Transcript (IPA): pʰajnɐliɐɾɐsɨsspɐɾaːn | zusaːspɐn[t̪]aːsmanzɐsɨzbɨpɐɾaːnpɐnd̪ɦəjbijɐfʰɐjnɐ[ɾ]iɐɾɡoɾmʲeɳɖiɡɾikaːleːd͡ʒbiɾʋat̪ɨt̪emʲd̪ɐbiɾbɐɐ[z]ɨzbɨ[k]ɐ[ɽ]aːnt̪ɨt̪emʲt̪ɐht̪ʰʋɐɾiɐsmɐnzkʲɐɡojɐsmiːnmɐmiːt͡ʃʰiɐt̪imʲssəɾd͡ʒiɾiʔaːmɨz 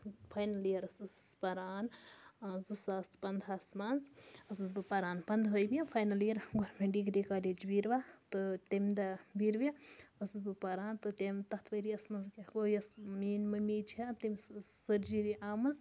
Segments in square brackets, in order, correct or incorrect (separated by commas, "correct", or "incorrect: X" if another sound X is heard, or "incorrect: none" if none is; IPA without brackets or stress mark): incorrect: d̪, incorrect: l, incorrect: s, incorrect: p, incorrect: ɾ